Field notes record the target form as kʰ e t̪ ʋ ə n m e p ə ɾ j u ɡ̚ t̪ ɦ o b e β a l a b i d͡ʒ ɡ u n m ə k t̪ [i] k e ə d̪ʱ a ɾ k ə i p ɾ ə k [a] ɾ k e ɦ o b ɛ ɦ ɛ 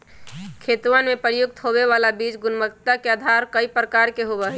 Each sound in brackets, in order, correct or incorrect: incorrect: a, correct

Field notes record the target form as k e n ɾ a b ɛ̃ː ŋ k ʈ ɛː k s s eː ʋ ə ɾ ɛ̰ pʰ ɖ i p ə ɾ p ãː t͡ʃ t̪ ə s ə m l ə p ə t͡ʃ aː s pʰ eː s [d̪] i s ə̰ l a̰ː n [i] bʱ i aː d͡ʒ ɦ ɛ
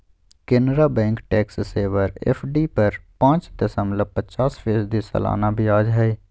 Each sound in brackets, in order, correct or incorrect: correct, incorrect: a

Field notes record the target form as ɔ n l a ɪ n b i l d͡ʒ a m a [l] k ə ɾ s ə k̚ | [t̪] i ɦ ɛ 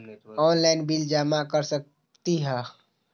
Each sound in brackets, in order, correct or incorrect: incorrect: none, correct

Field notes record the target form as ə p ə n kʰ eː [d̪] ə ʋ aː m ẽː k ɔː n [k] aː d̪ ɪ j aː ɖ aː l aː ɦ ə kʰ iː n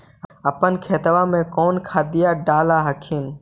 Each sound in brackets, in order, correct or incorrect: incorrect: t̪, incorrect: kʰ

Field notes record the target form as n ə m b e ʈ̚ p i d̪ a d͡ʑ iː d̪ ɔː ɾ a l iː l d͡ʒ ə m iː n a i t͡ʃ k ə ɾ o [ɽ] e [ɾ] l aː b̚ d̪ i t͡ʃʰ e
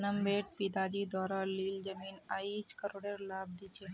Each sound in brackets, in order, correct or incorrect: correct, correct

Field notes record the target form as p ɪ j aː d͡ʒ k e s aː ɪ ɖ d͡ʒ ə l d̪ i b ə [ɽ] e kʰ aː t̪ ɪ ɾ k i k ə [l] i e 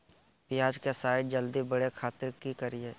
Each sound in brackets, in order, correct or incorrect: correct, incorrect: ɾ

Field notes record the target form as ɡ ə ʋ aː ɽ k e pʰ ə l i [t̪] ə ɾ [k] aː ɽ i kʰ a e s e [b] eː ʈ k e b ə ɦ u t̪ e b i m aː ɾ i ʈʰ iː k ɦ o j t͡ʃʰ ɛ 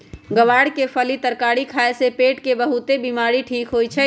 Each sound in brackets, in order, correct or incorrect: correct, correct, incorrect: p

